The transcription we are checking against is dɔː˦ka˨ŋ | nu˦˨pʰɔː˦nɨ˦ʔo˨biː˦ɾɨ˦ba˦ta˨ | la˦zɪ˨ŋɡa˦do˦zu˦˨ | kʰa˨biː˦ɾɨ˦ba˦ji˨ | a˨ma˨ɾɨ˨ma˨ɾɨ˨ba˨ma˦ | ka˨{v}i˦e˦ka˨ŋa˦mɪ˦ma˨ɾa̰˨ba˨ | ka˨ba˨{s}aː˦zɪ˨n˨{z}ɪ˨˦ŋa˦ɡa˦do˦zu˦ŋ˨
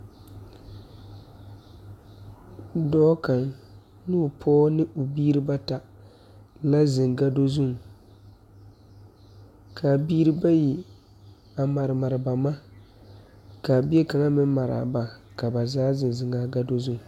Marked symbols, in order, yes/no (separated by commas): no, no, yes